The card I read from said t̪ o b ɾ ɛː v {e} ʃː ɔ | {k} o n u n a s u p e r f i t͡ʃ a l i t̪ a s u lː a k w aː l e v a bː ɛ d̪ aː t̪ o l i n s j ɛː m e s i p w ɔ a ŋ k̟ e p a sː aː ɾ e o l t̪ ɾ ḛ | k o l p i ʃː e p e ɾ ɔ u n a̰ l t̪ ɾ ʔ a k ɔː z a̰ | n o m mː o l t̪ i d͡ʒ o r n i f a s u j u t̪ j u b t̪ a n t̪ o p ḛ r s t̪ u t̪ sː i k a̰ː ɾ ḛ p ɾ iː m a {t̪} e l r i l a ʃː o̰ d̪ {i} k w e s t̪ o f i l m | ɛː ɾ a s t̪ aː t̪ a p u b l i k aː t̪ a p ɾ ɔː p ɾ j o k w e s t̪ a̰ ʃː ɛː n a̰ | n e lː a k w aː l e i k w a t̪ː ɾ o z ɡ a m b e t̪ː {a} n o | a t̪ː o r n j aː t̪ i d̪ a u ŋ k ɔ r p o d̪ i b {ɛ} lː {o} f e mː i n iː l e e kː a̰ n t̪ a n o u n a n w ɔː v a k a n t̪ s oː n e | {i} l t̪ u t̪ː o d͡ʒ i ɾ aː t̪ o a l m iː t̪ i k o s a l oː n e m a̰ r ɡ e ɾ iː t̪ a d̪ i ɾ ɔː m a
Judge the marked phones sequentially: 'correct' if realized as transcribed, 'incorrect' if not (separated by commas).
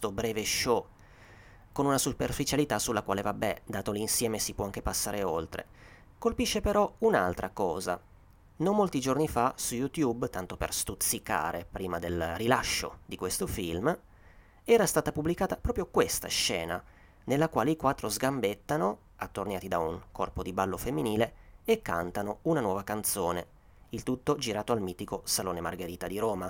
correct, correct, incorrect, correct, correct, incorrect, correct, correct